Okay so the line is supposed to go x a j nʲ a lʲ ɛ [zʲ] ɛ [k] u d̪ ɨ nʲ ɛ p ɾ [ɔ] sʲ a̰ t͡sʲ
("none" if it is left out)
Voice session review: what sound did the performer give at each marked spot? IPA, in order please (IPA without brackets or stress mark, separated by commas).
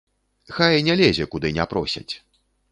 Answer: zʲ, k, ɔ